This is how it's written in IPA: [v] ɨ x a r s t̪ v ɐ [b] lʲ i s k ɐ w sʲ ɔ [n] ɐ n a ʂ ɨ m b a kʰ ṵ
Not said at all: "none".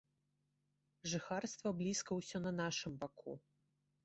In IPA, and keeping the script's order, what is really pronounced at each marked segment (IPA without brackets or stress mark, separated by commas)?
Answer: ʐ, b, n